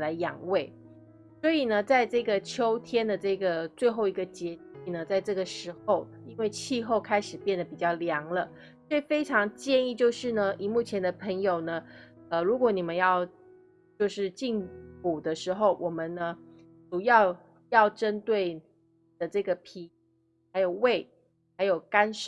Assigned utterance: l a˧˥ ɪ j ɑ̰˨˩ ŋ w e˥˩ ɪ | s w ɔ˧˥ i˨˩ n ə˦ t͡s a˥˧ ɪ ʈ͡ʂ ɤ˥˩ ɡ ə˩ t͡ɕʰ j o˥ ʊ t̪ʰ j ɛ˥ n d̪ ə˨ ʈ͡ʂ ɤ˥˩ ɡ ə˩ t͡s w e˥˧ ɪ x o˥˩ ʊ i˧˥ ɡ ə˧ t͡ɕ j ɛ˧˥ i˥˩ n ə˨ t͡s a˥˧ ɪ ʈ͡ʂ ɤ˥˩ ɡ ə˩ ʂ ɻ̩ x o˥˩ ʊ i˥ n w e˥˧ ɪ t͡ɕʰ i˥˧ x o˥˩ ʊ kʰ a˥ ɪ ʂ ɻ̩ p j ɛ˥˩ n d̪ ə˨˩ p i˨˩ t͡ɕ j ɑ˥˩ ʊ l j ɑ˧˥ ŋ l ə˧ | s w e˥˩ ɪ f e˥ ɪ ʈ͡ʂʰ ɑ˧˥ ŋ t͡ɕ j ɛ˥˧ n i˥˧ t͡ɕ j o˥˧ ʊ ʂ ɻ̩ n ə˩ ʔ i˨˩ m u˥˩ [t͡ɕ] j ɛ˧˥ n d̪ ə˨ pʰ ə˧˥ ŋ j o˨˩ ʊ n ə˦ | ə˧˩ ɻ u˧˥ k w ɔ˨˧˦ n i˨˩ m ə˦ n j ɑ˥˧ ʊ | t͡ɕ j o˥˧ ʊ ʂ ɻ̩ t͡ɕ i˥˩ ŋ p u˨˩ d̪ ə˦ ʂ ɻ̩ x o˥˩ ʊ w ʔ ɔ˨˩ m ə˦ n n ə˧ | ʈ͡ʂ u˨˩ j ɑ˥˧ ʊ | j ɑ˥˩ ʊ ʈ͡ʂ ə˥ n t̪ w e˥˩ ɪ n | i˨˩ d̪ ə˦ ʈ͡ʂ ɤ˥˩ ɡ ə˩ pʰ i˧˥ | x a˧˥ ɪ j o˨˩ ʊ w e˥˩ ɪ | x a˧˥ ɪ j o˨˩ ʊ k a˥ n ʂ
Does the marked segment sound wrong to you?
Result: yes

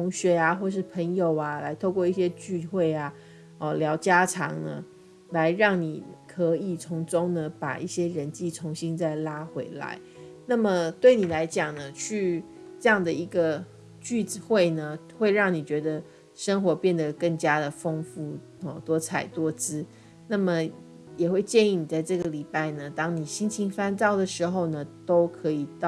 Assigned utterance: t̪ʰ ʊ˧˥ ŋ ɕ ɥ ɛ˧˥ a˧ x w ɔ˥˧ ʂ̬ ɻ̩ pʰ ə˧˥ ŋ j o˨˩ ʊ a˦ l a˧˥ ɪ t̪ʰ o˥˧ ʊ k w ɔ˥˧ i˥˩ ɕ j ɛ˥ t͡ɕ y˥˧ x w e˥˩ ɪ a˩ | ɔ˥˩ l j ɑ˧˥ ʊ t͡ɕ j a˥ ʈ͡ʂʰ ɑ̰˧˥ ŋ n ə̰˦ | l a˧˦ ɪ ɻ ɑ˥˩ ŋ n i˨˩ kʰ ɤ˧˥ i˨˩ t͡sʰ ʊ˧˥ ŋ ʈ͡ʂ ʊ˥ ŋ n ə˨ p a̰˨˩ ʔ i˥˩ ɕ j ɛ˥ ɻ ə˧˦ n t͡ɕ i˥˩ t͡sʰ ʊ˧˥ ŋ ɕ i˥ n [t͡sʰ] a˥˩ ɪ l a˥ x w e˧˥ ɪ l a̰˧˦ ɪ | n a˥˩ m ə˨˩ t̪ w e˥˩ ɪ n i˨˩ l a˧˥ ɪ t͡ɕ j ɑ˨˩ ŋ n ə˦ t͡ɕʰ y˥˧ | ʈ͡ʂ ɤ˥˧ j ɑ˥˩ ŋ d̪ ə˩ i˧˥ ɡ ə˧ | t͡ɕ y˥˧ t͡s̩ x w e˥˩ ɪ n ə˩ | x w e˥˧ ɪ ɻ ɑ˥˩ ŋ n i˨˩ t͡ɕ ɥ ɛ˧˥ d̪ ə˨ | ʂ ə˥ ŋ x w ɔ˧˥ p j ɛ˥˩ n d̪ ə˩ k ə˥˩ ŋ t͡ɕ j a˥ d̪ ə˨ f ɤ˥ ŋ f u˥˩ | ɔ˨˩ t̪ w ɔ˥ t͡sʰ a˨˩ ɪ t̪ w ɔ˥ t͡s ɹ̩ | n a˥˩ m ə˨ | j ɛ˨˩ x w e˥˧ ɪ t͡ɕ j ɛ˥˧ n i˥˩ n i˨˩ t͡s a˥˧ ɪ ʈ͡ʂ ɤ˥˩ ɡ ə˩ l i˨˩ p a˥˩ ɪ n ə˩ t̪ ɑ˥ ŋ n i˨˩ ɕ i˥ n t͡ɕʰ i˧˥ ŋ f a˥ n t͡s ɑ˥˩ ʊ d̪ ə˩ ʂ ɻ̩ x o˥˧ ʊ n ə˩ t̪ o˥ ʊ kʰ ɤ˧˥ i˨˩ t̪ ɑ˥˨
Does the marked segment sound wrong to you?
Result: yes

